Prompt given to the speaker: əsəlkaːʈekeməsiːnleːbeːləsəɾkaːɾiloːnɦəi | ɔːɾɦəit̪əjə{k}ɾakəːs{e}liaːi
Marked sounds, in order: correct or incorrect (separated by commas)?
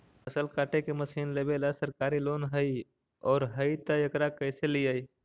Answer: correct, correct